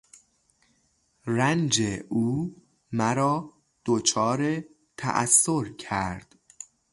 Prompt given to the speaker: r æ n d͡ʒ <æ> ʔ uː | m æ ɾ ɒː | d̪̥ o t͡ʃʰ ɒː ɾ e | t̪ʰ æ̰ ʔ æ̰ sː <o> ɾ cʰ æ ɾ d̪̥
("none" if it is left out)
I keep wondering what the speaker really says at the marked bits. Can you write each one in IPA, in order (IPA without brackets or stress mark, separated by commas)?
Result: e, o